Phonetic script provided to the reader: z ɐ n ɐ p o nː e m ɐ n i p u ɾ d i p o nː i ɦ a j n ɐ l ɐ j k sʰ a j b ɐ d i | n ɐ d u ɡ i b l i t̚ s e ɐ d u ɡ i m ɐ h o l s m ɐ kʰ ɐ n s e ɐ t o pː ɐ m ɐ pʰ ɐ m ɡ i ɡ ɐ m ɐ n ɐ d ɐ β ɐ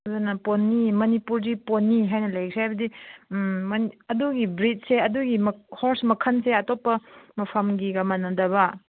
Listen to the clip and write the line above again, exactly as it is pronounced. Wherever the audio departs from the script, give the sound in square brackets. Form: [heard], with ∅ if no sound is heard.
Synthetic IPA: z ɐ n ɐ p o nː [i] m ɐ n i p u ɾ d i p o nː i ɦ a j n ɐ l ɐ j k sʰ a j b ɐ d i | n ɐ d u ɡ i b [ɾ] i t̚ s e ɐ d u ɡ i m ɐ h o [ɾ] s m ɐ kʰ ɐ n s e ɐ t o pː ɐ m ɐ pʰ ɐ m ɡ i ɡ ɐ m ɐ n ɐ d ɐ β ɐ